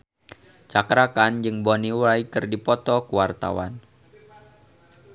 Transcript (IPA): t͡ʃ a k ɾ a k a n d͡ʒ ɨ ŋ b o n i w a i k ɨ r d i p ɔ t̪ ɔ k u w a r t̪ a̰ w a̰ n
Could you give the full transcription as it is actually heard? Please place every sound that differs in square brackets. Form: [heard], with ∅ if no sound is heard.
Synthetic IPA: t͡ʃ a k ɾ a k a n d͡ʒ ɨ ŋ b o n i w a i k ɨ r d i p ɔ t̪ ɔ k u w a r t̪ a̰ w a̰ n